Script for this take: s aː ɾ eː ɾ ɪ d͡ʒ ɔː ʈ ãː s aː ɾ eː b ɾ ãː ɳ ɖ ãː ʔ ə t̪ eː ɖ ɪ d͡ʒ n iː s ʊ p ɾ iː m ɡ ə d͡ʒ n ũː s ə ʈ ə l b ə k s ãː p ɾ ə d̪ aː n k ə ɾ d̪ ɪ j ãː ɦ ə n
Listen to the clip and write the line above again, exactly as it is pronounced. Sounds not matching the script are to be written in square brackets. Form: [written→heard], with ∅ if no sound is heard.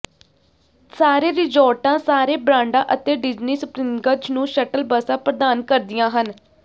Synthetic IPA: s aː ɾ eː ɾ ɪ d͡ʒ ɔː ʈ ãː s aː ɾ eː b ɾ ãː ɳ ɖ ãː ʔ ə t̪ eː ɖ ɪ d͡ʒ n iː s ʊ p ɾ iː m ɡ ə d͡ʒ n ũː [s→ʃ] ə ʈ ə l b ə [k→∅] s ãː p ɾ ə d̪ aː n k ə ɾ d̪ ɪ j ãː ɦ ə n